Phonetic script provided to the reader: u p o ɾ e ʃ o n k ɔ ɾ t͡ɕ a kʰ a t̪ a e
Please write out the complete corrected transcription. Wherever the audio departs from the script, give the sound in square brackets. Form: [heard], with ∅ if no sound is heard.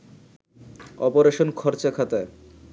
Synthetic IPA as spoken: [ɔ] p o ɾ e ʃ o n [kʰ] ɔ ɾ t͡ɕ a kʰ a t̪ a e